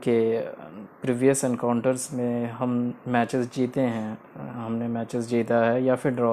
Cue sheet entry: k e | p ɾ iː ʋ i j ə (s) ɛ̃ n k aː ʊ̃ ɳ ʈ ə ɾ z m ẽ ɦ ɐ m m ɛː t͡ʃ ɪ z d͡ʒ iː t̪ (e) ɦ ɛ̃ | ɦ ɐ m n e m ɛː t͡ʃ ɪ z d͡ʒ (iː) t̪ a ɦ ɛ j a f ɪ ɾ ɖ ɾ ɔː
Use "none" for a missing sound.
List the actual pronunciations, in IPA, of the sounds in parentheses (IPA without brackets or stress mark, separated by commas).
s, e, iː